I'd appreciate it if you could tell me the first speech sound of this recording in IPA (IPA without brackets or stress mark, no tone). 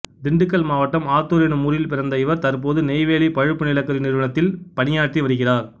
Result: d̪